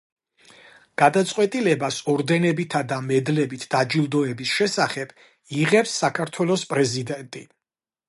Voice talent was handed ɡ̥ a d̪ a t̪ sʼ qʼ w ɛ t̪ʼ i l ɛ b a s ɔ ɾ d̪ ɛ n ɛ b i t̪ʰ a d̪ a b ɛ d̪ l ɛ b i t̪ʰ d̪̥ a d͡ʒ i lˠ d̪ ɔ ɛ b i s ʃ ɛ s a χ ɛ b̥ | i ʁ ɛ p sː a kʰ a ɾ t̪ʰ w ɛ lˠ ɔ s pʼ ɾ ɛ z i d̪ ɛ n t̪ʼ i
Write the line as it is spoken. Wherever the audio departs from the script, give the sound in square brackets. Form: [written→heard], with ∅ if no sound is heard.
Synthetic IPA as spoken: ɡ̥ a d̪ a t̪ sʼ qʼ w ɛ t̪ʼ i l ɛ b a s ɔ ɾ d̪ ɛ n ɛ b i t̪ʰ a d̪ a [b→m] ɛ d̪ l ɛ b i t̪ʰ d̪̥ a d͡ʒ i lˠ d̪ ɔ ɛ b i s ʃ ɛ s a χ ɛ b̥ | i ʁ ɛ p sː a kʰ a ɾ t̪ʰ w ɛ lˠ ɔ s pʼ ɾ ɛ z i d̪ ɛ n t̪ʼ i